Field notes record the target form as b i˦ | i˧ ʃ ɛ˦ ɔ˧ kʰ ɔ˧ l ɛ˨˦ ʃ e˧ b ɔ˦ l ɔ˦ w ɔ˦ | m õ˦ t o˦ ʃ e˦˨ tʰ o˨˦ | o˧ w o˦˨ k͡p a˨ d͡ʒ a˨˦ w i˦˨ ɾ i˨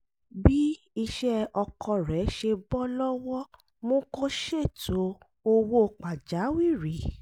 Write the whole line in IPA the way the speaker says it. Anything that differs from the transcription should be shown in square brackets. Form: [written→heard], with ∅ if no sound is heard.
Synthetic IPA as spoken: b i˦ | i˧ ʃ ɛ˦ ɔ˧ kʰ ɔ˧ [l→ɾ] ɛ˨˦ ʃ e˧ b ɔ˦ l ɔ˦ w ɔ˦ | m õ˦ [t→k] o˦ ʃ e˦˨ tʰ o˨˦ | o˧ w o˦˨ k͡p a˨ d͡ʒ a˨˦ w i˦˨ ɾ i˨